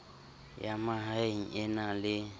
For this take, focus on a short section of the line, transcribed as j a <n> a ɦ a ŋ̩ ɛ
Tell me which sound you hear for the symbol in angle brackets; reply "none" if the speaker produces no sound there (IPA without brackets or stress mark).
m